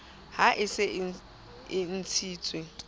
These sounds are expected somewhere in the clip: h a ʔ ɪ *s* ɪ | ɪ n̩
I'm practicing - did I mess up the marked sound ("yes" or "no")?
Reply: no